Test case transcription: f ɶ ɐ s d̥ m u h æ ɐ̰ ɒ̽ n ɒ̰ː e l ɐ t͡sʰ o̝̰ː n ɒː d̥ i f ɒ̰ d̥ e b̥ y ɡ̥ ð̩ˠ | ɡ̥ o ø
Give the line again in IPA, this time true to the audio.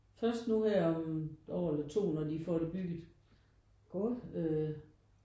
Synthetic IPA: f ɶ ɐ s d̥ n u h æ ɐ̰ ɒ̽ m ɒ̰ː e l ɐ t͡sʰ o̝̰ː n ɒ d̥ i f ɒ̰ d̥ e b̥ y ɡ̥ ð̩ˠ | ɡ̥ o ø